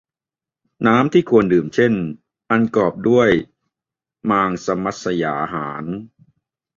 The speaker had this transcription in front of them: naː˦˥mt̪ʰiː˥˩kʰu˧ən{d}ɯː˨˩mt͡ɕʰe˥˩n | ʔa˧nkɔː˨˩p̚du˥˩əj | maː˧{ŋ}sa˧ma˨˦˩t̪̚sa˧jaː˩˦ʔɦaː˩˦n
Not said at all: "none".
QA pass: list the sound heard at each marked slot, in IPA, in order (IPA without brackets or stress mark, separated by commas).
d, ŋ